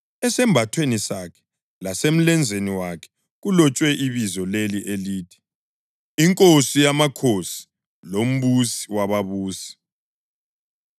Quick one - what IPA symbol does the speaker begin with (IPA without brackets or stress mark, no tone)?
ɛ